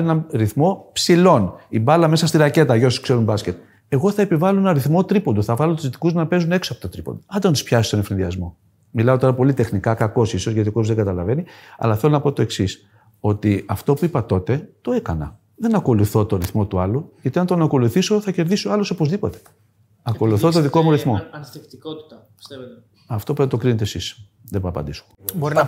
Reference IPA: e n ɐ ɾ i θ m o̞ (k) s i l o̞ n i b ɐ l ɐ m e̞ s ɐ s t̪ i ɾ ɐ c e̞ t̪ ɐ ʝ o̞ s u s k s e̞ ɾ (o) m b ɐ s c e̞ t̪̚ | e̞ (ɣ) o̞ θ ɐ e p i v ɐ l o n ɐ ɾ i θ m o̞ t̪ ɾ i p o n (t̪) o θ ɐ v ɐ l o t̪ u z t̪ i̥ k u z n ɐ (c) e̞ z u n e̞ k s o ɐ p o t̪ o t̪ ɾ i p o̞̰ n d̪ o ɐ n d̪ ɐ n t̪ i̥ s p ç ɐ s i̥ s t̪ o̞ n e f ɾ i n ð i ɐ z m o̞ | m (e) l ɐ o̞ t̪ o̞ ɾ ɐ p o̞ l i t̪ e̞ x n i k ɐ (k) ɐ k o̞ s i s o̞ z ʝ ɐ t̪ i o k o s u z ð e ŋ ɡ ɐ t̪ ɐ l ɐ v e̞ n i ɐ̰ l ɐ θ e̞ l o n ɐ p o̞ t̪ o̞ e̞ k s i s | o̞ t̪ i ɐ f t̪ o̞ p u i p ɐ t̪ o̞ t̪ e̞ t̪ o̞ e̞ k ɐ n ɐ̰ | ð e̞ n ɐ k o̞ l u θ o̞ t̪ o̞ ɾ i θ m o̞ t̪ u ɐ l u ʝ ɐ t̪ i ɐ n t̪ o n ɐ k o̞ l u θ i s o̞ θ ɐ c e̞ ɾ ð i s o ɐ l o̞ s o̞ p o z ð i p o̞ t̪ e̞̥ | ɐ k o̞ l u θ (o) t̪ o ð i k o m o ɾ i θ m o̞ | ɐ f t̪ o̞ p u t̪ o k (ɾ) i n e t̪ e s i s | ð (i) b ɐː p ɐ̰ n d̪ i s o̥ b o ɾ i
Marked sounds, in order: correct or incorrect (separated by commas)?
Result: incorrect, incorrect, correct, incorrect, incorrect, incorrect, correct, correct, correct, incorrect